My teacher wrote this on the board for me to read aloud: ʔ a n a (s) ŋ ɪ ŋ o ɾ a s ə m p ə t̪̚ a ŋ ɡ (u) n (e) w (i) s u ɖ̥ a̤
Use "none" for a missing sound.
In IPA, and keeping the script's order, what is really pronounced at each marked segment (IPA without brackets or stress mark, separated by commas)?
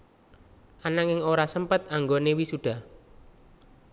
none, o, e, i